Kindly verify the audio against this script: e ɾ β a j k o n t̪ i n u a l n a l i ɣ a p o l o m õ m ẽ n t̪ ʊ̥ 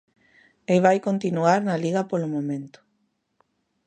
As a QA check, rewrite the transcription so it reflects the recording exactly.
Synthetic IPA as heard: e β a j k o n t̪ i n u a ɾ n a l i ɣ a p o l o m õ m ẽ n t̪ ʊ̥